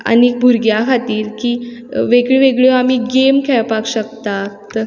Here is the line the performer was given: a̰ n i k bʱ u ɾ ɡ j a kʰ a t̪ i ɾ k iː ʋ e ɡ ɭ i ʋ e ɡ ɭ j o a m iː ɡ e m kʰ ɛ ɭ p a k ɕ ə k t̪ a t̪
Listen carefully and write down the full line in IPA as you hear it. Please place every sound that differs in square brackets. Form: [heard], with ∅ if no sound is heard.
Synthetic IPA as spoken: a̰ n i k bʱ u ɾ ɡ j a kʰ a t̪ [iː] ɾ k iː ʋ e ɡ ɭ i ʋ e ɡ ɭ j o a m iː ɡ e m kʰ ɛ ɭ p a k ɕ ə k t̪ a t̪